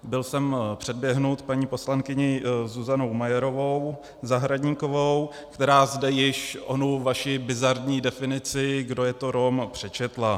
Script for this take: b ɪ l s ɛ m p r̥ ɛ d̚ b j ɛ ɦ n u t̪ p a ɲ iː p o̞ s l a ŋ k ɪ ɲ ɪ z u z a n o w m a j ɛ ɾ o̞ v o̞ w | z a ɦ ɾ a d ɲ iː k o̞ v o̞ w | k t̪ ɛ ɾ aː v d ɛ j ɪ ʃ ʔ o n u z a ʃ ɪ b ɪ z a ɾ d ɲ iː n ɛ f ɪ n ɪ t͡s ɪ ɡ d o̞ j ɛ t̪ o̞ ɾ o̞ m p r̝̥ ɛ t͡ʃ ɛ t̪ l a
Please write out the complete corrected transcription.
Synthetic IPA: b ɪ l s ɛ m p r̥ ɛ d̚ b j ɛ ɦ n u t̪ p a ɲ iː p o̞ s l a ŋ k ɪ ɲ ɪ z u z a n o w m a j ɛ ɾ o̞ v o̞ w | z a ɦ ɾ a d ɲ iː k o̞ v o̞ w | k t̪ ɛ ɾ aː z d ɛ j ɪ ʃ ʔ o n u v a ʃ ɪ b ɪ z a ɾ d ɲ iː d ɛ f ɪ n ɪ t͡s ɪ ɡ d o̞ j ɛ t̪ o̞ ɾ o̞ m p r̝̥ ɛ t͡ʃ ɛ t̪ l a